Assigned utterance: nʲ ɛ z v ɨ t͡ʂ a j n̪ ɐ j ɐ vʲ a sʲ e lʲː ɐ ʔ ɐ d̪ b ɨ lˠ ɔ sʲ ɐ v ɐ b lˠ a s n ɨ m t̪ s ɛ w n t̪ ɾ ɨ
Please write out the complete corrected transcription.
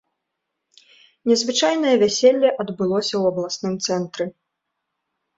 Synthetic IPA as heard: nʲ ɛ z v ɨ t͡ʂ a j n̪ ɐ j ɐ vʲ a sʲ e lʲː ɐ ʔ ɐ d̪ b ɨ lˠ ɔ sʲ ɐ w ɐ b lˠ a s n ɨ m t̪ s ɛ n t̪ ɾ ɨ